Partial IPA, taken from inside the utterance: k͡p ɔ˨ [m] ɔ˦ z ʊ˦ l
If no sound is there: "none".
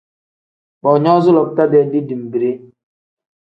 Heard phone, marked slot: ɲ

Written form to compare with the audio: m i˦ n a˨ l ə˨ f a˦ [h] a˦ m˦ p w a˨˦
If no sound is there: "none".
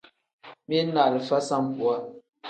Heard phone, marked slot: s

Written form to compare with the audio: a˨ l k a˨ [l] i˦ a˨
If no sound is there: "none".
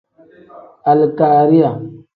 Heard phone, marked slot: ɾ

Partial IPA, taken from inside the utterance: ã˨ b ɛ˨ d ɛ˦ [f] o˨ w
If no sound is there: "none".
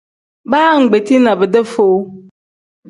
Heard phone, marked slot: f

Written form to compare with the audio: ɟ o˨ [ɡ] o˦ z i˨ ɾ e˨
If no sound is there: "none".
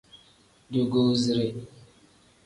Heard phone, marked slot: ɡ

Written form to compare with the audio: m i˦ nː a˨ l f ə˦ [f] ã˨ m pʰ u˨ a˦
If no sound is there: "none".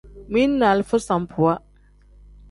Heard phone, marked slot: s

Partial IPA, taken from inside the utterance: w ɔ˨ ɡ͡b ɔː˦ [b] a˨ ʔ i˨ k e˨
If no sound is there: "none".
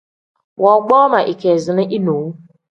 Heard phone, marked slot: m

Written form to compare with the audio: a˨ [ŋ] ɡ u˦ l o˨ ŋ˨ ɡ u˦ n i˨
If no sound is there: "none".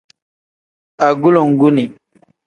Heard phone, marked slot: none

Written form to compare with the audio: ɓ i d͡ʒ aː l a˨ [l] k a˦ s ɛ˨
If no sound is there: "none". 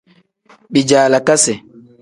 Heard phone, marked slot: none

